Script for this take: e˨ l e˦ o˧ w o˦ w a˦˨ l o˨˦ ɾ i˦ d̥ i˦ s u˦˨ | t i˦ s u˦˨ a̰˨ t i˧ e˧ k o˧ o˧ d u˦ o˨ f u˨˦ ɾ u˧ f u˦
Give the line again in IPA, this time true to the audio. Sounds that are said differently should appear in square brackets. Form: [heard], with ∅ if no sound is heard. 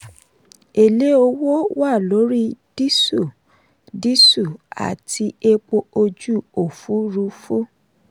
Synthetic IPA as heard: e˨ l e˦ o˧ w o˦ w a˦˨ l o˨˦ ɾ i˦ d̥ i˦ s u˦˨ | [d] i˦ s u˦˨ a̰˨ t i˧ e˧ [k͡p] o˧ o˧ [d͡ʒ] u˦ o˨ f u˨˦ ɾ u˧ f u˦